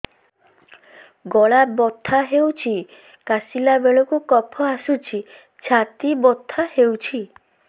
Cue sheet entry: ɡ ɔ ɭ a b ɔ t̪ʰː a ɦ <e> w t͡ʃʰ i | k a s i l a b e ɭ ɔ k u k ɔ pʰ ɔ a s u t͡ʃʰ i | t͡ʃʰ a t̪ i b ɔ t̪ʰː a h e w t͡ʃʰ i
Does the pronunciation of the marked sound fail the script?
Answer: no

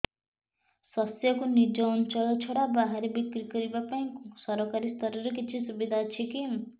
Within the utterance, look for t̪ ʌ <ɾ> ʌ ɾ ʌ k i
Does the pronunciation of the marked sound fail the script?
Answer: no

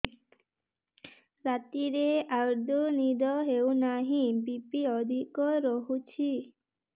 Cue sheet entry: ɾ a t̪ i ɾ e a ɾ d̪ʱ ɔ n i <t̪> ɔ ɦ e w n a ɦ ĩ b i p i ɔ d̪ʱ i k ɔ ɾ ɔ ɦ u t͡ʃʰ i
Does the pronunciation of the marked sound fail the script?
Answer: yes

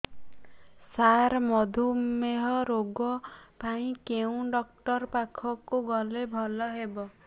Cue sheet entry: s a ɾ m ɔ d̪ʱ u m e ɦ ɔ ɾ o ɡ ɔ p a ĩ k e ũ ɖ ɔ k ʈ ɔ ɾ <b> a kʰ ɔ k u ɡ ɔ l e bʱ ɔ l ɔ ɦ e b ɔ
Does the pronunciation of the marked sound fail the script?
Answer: yes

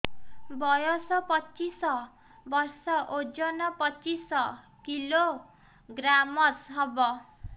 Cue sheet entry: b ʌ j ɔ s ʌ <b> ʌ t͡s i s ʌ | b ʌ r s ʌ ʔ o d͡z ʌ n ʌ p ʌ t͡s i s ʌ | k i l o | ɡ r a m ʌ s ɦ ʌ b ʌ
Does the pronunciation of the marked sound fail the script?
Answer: yes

